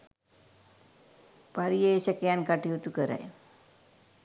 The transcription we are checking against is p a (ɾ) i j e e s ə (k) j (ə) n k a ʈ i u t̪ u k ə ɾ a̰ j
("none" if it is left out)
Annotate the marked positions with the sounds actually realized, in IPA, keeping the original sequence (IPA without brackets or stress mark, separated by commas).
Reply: ɾ, k, a